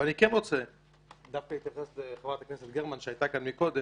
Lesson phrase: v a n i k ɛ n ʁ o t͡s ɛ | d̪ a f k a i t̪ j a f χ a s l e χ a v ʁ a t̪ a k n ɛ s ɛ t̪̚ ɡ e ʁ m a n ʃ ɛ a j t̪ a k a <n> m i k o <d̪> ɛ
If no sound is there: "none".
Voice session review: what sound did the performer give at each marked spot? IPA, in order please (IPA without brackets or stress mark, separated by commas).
n, d̪